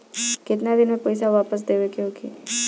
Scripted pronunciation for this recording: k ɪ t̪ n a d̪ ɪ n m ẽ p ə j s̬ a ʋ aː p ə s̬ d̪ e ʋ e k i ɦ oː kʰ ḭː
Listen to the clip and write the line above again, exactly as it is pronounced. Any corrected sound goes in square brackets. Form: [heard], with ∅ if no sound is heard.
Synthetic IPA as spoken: k ɪ t̪ n a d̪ ɪ n m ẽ p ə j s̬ a ʋ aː p ə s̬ d̪ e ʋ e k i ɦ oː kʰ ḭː